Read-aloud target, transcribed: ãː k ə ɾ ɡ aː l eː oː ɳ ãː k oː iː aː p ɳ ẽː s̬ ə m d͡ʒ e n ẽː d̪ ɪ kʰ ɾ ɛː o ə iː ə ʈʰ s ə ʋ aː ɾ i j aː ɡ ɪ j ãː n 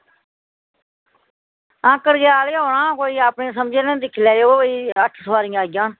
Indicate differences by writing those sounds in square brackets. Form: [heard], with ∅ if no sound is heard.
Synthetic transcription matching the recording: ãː k ə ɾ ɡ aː l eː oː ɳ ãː k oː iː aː p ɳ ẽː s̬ ə m d͡ʒ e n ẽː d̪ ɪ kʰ [l] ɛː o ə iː ə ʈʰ s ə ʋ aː ɾ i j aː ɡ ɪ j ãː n